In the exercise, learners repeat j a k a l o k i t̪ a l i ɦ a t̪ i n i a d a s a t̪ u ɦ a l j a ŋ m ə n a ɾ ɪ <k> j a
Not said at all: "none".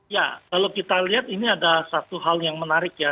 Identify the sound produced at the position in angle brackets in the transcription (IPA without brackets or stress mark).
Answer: k